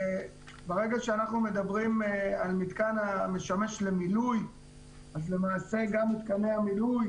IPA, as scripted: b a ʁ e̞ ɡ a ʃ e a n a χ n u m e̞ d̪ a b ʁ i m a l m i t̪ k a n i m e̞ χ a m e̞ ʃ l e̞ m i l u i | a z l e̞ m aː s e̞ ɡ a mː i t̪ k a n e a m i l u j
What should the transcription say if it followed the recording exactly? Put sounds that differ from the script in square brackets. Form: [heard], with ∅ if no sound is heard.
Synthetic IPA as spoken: b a ʁ e̞ ɡ a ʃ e a n a χ n u m e̞ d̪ a b ʁ i m a l m i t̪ k a n [a] m e̞ [ʃ] a m e̞ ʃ l e̞ m i l u [j] | a z l e̞ m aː s e̞ ɡ a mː i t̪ k a n e a m i l u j